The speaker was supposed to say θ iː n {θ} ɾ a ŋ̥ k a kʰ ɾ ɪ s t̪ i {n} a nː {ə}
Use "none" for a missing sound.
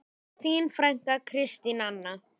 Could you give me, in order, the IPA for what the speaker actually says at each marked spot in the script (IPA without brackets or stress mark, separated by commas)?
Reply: f, n, a